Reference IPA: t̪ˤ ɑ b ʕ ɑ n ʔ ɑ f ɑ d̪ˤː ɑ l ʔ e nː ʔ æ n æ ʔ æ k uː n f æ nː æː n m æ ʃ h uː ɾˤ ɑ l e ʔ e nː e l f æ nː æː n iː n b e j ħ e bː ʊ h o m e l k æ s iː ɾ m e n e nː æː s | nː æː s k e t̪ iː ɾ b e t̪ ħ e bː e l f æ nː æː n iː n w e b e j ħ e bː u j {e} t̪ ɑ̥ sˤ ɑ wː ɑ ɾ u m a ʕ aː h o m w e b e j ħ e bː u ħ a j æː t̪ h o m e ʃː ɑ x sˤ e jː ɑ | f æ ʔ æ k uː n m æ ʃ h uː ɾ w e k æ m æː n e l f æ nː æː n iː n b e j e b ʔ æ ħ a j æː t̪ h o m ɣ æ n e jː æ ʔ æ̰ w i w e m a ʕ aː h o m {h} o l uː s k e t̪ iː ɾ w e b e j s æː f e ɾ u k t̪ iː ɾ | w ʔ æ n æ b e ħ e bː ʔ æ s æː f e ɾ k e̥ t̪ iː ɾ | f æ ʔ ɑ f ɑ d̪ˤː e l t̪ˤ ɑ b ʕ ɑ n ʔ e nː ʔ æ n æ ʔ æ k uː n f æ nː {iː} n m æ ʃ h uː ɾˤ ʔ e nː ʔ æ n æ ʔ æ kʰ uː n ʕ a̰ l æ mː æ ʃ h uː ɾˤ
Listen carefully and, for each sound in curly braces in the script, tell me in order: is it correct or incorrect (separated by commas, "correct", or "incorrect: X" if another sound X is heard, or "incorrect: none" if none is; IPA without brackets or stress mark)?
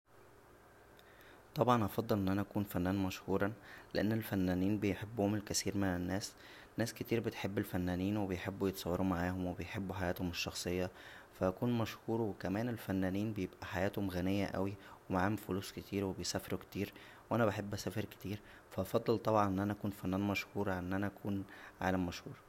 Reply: correct, incorrect: f, incorrect: æː